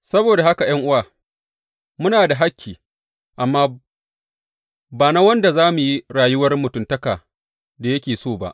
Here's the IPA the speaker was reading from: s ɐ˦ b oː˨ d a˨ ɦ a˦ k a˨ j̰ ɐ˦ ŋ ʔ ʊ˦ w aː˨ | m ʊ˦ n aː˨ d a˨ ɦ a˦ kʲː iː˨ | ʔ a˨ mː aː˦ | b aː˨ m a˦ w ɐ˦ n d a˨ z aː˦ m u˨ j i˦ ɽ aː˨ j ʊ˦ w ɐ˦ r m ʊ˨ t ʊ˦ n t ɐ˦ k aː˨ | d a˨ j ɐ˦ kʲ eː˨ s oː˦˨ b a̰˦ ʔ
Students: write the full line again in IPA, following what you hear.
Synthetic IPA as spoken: s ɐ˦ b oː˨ d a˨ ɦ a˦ k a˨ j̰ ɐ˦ ŋ ʔ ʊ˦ w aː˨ | m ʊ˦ n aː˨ d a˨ ɦ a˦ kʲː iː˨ | ʔ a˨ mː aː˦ | b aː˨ n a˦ w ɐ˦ n d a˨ z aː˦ m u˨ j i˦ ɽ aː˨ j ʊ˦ w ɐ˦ r m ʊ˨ t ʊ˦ n t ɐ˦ k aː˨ | d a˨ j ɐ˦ kʲ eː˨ s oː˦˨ b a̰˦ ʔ